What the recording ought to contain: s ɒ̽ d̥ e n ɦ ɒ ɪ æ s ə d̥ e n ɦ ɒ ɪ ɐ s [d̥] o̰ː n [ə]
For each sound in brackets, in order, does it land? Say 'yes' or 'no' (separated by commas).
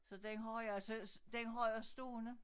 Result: yes, yes